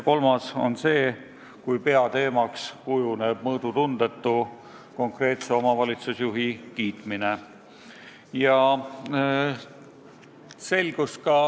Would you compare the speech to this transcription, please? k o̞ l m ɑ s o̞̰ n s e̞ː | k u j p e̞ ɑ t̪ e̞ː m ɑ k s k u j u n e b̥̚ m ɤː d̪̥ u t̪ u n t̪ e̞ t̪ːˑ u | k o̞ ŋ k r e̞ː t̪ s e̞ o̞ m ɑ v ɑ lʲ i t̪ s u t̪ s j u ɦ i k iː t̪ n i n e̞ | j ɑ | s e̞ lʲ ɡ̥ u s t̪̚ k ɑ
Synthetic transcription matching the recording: k o̞ l m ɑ s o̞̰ n s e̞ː | k u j p e̞ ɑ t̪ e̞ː m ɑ k s k u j u n e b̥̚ m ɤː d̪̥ u t̪ u n d̪ e̞ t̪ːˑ u | k o̞ ŋ k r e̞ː t̪ s e̞ o̞ m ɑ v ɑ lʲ i t̪ s u s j u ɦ i k iː t̪ m i n e̞ | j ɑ | s e̞ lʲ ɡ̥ u s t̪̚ k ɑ